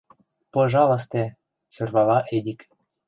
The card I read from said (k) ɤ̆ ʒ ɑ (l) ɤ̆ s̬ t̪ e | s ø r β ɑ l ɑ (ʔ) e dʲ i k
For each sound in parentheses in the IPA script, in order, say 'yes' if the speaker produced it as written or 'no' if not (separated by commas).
no, yes, yes